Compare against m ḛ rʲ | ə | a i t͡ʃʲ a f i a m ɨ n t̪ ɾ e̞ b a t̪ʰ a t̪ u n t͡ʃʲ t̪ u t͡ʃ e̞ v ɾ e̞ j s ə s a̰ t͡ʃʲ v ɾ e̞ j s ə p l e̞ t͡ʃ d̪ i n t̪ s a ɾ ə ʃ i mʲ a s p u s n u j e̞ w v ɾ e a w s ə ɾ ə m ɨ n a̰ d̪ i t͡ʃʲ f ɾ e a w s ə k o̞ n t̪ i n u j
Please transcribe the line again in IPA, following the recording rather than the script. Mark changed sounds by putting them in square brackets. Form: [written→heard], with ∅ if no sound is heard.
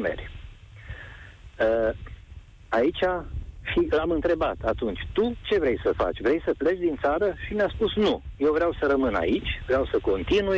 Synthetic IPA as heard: m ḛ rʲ | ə | a i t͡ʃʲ a [f→ʃ] i a m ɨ n t̪ ɾ e̞ b a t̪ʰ a t̪ u n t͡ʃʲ t̪ u t͡ʃ e̞ v ɾ e̞ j s ə [s→f] a̰ t͡ʃʲ v ɾ e̞ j s ə p l e̞ t͡ʃ d̪ i n t̪ s a ɾ ə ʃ i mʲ a s p u s n u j e̞ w v ɾ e a w s ə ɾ ə m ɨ n a̰ [d̪→∅] i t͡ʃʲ [f→v] ɾ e a w s ə k o̞ n t̪ i n u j